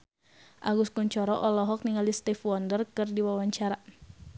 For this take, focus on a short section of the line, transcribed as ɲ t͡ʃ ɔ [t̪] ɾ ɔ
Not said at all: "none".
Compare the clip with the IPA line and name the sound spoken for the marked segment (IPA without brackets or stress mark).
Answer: none